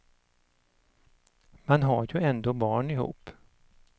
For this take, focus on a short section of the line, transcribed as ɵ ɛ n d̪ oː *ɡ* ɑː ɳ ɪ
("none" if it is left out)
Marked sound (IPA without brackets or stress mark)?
b